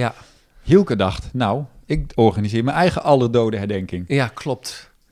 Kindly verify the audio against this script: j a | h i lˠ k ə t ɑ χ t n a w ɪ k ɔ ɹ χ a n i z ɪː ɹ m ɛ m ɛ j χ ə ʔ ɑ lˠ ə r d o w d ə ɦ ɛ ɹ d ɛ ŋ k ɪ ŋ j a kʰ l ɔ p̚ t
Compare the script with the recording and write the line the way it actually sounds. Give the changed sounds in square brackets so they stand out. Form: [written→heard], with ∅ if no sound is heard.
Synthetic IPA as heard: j a | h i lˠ k ə [t→d] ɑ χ t n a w ɪ k ɔ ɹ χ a n i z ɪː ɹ m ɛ [m→n] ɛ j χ ə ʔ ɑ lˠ ə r d o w d ə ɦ ɛ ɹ d ɛ ŋ k ɪ ŋ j a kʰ l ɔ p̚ t